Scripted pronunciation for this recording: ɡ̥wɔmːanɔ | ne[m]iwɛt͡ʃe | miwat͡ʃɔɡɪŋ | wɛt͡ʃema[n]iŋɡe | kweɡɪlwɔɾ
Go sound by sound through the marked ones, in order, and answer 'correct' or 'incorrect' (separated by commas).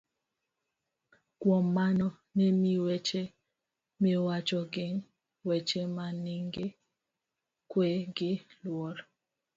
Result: correct, correct